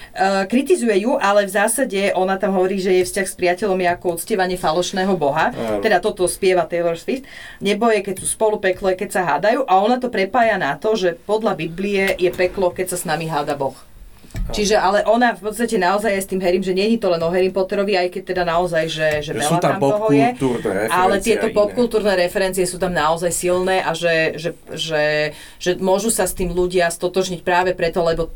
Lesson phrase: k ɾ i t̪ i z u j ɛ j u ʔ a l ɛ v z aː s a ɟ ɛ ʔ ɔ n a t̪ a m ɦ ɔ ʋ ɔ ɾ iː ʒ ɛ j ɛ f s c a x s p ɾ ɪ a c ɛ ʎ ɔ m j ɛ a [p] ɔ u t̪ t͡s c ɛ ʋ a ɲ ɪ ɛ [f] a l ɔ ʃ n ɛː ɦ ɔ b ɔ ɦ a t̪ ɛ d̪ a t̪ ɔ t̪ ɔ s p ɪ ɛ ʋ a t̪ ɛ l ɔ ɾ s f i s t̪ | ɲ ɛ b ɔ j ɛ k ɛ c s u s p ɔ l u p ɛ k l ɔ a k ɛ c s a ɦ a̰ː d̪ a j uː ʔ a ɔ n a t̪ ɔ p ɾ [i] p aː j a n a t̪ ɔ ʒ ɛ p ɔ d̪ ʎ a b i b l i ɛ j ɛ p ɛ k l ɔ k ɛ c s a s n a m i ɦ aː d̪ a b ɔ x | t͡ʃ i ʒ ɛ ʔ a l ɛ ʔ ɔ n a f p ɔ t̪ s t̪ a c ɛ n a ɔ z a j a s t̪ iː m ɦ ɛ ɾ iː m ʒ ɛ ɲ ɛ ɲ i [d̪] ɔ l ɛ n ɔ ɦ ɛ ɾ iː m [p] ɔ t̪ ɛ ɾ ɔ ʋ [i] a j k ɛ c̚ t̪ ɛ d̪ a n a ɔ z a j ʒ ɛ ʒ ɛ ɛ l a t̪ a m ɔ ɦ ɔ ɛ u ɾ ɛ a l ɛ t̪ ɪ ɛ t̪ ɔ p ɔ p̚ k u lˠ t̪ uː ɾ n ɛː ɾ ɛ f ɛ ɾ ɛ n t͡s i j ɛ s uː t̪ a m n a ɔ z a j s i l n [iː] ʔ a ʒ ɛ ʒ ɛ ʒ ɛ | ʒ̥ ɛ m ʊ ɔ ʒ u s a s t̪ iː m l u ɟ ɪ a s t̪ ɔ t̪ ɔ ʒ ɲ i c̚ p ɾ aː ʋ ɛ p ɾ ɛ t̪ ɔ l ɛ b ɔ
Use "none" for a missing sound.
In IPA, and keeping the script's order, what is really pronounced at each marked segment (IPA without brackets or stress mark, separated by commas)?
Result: k, f, ɛ, t̪, p, i, ɛː